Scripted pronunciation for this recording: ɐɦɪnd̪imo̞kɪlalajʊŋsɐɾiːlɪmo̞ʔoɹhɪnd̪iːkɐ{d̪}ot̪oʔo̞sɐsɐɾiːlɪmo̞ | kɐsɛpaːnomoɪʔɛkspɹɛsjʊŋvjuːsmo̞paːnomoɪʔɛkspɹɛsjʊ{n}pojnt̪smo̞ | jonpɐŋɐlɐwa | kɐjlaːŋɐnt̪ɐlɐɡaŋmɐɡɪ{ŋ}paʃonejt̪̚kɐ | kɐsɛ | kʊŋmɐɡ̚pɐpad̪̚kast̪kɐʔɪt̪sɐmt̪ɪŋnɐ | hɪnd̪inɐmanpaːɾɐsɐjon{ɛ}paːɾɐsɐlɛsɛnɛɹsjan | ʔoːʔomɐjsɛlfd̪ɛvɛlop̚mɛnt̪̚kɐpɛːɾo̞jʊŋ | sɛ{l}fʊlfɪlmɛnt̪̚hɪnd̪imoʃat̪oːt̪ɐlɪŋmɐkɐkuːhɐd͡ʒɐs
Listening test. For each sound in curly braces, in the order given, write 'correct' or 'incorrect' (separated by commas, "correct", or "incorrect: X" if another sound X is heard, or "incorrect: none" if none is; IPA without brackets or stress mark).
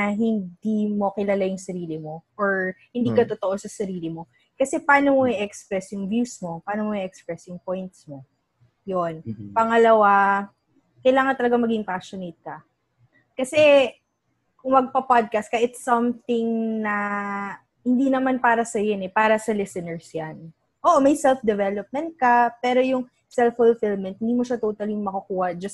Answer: incorrect: t̪, incorrect: ŋ, correct, correct, correct